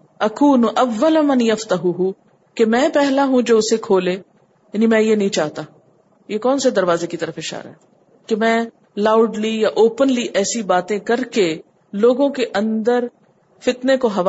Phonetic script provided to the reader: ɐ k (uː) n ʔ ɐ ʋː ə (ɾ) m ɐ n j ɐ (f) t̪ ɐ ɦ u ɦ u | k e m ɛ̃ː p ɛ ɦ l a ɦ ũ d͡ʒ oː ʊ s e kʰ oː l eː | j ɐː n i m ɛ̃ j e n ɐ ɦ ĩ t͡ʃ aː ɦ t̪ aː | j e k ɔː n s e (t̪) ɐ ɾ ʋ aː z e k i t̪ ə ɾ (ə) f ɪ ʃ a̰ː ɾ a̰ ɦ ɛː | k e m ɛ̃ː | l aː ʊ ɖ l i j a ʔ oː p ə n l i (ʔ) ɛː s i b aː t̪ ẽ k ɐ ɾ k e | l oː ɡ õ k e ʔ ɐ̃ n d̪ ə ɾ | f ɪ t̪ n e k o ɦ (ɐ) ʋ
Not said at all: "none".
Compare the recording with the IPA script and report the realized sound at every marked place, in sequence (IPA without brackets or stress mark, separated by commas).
uː, l, f, d̪, ə, ʔ, ɐ